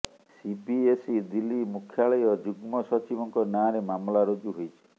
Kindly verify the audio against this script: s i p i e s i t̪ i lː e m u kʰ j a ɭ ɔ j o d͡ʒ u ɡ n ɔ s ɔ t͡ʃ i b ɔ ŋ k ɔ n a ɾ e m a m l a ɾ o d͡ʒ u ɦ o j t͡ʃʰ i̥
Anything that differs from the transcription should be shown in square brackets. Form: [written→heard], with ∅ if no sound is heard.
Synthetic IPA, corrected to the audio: s i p i e s i [t̪→d̪] i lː [e→i] m u kʰ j a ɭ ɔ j [o→ɔ] d͡ʒ u ɡ [n→m] ɔ s ɔ t͡ʃ i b ɔ ŋ k ɔ n a ɾ e m a m l a ɾ o d͡ʒ u ɦ o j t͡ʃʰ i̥